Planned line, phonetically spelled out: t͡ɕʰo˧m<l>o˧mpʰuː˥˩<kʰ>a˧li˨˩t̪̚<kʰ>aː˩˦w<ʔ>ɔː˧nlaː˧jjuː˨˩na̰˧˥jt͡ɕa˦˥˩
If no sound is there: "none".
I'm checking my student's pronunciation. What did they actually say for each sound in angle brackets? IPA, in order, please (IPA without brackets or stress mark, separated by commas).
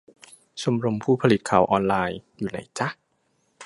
ɾ, pʰ, kʰ, ʔ